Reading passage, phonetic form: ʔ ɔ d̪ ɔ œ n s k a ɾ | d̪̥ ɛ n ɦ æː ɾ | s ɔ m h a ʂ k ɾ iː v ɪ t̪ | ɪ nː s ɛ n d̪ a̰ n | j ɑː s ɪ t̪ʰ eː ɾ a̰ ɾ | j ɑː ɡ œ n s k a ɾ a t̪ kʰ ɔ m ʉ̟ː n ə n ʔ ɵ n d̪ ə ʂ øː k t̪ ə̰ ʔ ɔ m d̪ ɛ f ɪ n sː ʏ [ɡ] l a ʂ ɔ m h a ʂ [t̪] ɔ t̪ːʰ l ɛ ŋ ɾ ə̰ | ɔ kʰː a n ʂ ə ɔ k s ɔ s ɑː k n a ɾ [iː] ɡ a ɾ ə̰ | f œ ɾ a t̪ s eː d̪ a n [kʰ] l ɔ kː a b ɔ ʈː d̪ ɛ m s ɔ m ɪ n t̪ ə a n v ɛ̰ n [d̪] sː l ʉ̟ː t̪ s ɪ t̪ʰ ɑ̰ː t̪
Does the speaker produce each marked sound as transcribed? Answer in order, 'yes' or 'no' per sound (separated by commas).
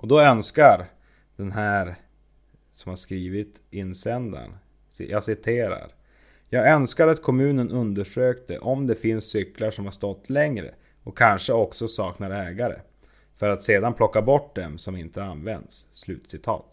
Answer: no, yes, no, no, yes